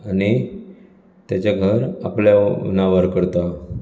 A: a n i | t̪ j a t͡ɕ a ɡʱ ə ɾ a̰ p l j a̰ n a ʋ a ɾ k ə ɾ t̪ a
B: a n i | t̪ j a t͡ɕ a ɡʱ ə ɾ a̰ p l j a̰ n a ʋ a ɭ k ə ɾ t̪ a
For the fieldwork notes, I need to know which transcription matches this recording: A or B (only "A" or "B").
A